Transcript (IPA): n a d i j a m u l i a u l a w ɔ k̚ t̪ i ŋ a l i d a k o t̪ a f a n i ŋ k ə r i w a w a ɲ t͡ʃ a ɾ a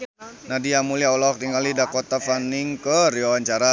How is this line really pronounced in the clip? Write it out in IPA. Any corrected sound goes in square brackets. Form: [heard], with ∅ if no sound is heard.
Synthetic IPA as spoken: n a d i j a m u l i a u l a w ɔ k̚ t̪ i ŋ a l i d a k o t̪ a f a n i ŋ k ə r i w a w a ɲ t͡ʃ a ɾ a

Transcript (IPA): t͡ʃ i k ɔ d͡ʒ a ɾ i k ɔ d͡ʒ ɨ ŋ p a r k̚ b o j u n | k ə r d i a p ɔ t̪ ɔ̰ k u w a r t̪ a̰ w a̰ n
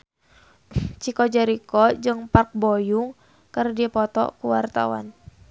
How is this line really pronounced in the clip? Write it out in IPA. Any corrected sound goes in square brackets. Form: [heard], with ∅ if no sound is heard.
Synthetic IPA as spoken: t͡ʃ i k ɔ d͡ʒ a ɾ i k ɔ d͡ʒ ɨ ŋ p a r k̚ b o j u [ŋ] | k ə r d i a p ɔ t̪ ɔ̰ k u w a r t̪ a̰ w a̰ n

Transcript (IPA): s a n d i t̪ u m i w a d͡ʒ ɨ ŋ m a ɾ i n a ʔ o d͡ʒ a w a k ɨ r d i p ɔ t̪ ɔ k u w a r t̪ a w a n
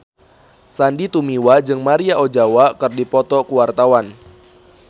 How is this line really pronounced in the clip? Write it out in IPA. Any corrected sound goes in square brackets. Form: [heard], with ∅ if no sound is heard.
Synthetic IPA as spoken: s a n d i t̪ u m i w a d͡ʒ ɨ ŋ m a ɾ i [∅] a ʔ o d͡ʒ a w a k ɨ r d i p ɔ t̪ ɔ k u w a r t̪ a w a n

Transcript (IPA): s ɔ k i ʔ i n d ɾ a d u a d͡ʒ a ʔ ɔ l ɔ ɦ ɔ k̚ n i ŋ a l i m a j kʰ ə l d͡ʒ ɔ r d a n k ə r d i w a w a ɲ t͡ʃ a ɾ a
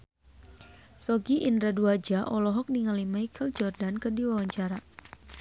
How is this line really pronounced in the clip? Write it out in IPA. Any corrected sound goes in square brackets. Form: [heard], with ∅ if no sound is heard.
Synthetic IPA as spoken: s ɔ [ɡ] i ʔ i n d ɾ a d u a d͡ʒ a ʔ ɔ l ɔ ɦ ɔ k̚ n i ŋ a l i m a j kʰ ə l d͡ʒ ɔ r d a n k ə r d i w a w a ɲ t͡ʃ a ɾ a

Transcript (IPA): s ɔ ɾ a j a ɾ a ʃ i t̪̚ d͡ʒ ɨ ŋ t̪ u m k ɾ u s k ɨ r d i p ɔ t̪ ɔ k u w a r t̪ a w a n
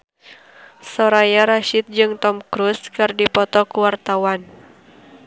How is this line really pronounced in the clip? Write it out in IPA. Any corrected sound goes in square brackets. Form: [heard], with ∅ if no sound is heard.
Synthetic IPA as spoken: s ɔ ɾ a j a ɾ a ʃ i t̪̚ d͡ʒ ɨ ŋ t̪ [ɔ] m k ɾ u s k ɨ r d i p ɔ t̪ ɔ k u w a r t̪ a w a n

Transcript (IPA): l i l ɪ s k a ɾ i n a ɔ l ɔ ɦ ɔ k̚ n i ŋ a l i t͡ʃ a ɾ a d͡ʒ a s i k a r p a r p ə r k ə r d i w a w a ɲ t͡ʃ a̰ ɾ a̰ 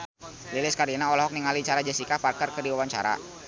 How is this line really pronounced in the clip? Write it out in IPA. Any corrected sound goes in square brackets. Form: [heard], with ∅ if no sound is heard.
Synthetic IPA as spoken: l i l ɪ s k a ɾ i n a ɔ l ɔ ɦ ɔ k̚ n i ŋ a l i t͡ʃ a ɾ a d͡ʒ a s i k a [∅] p a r [k] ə r k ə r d i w a w a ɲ t͡ʃ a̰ ɾ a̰

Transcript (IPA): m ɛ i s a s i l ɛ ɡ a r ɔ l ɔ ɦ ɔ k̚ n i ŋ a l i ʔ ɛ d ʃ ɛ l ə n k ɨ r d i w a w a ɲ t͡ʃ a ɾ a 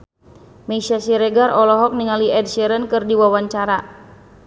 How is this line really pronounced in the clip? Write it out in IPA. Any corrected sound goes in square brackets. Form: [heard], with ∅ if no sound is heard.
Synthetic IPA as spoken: m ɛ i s a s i [ɾ] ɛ ɡ a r ɔ l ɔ ɦ ɔ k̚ n i ŋ a l i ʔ ɛ d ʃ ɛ [ɾ] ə n k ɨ r d i w a w a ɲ t͡ʃ a ɾ a

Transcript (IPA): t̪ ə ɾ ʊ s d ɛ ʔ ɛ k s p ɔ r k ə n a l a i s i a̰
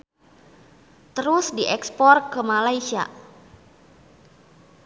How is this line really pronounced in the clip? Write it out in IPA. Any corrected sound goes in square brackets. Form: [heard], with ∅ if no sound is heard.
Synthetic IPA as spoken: t̪ ə ɾ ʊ s d [i] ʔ ɛ k s p ɔ r k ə [m] a l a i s i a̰

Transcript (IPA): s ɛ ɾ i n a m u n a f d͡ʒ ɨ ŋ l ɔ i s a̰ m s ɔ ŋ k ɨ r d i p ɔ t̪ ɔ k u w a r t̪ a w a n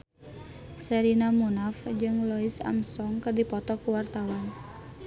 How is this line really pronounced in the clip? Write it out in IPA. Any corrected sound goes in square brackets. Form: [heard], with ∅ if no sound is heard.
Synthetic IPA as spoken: s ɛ ɾ i n a m u n a f d͡ʒ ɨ ŋ l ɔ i s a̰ m s ɔ ŋ k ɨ r d i p ɔ t̪ ɔ k u w a r t̪ a w a n

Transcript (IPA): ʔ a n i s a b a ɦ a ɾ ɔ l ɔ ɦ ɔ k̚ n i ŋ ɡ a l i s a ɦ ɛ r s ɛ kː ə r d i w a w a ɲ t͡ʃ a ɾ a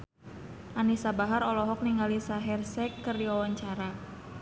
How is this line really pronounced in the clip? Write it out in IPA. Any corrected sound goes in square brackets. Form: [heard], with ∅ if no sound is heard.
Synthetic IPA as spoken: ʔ a n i s a b a ɦ a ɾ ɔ l ɔ ɦ ɔ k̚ n i ŋ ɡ a l i s a ɦ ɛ r s ɛ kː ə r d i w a w a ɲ t͡ʃ a ɾ a

